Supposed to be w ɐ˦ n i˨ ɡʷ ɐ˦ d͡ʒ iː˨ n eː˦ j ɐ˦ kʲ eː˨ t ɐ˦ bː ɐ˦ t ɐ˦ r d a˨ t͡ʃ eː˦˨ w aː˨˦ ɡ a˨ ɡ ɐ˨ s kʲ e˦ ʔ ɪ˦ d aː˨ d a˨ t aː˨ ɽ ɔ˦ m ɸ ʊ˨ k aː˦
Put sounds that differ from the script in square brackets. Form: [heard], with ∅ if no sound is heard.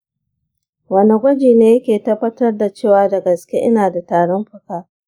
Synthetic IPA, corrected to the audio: w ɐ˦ n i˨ ɡʷ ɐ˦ d͡ʒ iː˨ n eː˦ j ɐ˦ kʲ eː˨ t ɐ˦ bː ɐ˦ t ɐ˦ r d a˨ t͡ʃ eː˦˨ w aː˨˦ [d] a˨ ɡ ɐ˨ s kʲ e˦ ʔ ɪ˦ [n] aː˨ d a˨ t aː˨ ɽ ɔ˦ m ɸ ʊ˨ k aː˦